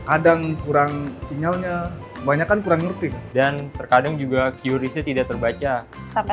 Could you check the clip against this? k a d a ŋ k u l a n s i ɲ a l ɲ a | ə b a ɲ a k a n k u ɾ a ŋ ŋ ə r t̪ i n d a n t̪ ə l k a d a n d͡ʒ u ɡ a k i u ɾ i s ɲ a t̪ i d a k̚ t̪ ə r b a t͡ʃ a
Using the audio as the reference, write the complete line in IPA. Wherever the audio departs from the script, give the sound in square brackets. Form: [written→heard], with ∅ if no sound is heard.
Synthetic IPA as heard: k a d a ŋ k u [l→ɾ] a [n→ŋ] s i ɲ a l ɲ a | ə b a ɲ a k a n k u ɾ a ŋ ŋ ə r t̪ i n d a n t̪ ə [l→r] k a d a [n→ŋ] d͡ʒ u ɡ a k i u ɾ i s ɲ a t̪ i d a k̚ t̪ ə r b a t͡ʃ a